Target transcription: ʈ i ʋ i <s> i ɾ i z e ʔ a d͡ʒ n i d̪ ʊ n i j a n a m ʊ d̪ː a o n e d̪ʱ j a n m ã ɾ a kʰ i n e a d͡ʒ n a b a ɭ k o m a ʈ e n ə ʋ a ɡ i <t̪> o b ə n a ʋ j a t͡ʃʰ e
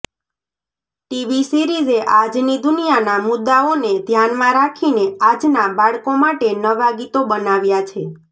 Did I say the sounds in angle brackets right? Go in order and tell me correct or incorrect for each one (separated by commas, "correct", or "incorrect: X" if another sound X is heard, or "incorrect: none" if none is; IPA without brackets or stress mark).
correct, correct